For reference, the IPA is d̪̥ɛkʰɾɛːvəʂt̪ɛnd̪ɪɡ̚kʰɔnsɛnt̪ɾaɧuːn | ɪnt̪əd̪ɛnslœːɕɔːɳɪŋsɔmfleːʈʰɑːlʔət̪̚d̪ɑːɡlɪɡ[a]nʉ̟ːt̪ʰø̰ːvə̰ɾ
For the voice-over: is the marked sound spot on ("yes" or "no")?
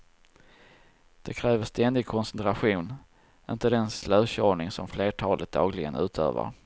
no